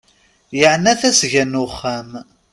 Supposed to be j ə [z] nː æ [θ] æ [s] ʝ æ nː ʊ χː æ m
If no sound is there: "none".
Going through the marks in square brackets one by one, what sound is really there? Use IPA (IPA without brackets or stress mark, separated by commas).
ʕ, θ, s